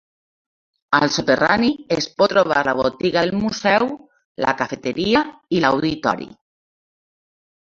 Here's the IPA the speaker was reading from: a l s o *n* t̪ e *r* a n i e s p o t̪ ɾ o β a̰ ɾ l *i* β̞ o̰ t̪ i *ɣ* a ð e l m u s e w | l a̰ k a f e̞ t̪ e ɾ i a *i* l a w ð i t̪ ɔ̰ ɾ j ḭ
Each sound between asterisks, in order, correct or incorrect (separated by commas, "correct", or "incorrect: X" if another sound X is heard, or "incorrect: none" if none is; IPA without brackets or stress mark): incorrect: none, correct, incorrect: a, correct, correct